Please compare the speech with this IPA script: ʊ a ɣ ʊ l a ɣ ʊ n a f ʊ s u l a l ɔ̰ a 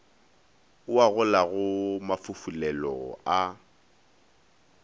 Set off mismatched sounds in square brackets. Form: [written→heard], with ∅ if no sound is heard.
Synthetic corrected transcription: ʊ a ɣ ʊ l a ɣ ʊ [n→m] a f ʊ [s→f] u l [a→ɛ] l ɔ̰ a